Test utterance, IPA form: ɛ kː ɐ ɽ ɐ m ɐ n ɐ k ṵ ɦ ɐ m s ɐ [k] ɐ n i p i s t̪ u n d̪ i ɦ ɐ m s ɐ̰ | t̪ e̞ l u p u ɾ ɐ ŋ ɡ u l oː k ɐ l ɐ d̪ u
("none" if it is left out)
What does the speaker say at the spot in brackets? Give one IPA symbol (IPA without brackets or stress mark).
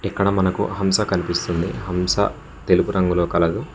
k